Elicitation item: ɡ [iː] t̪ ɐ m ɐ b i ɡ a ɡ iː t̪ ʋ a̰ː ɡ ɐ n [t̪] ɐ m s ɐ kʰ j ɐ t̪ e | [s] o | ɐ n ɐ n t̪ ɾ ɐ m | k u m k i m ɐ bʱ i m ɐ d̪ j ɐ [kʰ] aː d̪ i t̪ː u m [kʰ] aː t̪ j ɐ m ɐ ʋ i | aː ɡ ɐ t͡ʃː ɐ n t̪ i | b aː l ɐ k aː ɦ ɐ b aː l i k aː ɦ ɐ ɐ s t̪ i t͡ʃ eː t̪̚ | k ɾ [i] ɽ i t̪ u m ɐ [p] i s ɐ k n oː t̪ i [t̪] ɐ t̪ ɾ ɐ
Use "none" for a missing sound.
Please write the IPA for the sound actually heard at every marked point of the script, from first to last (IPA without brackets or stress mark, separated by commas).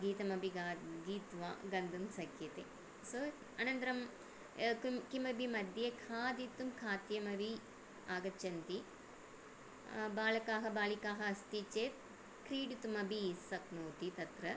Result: iː, d̪, s, kʰ, kʰ, iː, b, t̪